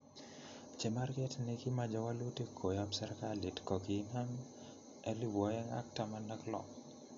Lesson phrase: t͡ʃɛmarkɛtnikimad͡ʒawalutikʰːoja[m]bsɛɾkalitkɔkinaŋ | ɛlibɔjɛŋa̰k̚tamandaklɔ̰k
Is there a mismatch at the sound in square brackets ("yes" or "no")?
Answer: yes